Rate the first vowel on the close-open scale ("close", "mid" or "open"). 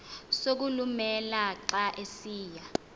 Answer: mid